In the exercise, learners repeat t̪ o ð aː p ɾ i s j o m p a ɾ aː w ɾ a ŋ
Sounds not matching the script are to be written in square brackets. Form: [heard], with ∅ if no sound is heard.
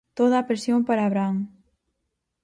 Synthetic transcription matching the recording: t̪ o ð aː p ɾ [e] s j o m p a ɾ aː [β] ɾ a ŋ